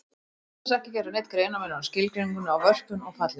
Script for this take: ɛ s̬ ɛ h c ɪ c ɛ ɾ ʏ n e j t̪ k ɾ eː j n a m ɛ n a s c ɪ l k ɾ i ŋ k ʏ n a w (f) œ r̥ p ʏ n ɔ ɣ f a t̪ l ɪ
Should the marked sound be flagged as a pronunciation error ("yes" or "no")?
yes